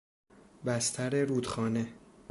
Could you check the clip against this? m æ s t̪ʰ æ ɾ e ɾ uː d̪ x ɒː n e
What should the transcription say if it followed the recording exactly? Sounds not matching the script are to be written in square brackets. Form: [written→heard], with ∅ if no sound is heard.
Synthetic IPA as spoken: [m→b] æ s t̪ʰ æ ɾ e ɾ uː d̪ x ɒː n e